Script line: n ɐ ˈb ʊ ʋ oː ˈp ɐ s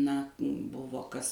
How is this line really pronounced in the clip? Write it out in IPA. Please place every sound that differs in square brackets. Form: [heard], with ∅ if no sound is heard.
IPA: n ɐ ˈb ʊ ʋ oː [ˈk] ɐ s